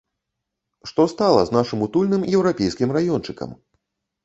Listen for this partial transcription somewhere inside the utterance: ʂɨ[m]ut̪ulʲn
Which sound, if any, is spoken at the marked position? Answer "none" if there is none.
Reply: m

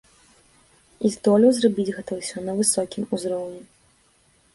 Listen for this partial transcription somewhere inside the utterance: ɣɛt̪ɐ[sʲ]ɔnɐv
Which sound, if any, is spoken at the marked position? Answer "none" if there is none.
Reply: sʲ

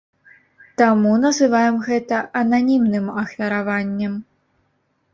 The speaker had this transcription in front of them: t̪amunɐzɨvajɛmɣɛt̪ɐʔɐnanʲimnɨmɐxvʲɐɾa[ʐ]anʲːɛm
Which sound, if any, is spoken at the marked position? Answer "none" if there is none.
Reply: v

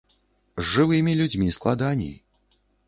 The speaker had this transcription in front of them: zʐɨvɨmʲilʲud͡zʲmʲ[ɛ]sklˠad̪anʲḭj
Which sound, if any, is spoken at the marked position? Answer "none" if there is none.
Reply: i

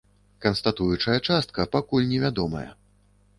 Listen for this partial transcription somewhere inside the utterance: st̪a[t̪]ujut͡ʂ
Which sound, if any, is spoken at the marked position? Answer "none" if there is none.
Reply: t̪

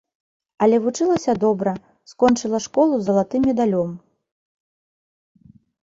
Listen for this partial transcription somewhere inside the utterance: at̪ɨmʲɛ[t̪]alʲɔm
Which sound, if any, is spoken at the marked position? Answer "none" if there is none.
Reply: d̪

